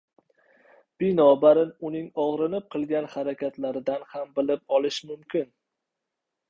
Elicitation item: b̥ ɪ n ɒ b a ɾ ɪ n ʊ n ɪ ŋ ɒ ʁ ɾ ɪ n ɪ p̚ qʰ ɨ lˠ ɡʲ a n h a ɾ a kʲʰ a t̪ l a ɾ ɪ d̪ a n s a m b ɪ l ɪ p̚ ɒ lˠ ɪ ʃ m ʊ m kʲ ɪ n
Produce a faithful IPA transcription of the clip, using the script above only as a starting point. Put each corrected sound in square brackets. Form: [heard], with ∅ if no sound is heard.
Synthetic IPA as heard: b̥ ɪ n ɒ b a ɾ ɪ n ʊ n ɪ ŋ ɒ ʁ ɾ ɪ n ɪ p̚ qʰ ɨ lˠ ɡʲ a n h a ɾ a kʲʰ a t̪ l a ɾ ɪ d̪ a n [h] a m b ɪ l ɪ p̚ ɒ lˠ ɪ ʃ m ʊ m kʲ ɪ n